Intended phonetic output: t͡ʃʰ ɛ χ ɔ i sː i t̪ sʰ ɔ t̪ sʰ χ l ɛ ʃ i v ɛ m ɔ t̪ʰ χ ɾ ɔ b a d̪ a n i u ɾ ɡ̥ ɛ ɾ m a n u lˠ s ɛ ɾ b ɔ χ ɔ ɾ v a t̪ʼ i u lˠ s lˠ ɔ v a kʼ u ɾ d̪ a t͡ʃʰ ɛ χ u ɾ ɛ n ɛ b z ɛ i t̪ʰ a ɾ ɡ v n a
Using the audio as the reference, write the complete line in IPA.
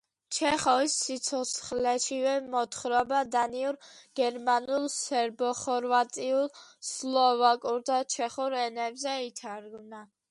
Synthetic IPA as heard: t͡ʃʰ ɛ χ ɔ i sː i t̪ sʰ ɔ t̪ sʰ χ l ɛ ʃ i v ɛ m ɔ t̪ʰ χ ɾ ɔ b a d̪ a n i u ɾ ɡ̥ ɛ ɾ m a n u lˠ s ɛ ɾ b ɔ χ ɔ ɾ v a t̪ʼ i u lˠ s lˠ ɔ v a kʼ u ɾ d̪ a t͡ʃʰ ɛ χ u ɾ ɛ n ɛ b z ɛ i t̪ʰ a ɾ ɡ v n a